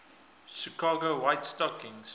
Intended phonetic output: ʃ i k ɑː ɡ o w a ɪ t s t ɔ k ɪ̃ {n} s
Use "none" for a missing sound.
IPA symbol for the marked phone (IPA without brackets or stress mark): ŋ